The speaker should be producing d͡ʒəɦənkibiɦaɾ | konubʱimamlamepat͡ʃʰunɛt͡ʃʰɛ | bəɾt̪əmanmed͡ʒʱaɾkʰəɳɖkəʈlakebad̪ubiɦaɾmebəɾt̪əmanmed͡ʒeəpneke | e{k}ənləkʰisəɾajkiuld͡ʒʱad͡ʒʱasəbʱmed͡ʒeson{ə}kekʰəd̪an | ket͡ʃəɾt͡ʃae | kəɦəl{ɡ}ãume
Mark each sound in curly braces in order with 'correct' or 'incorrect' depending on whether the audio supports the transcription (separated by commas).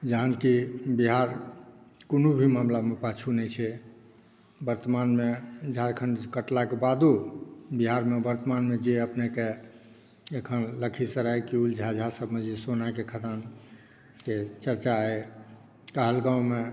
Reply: incorrect, incorrect, correct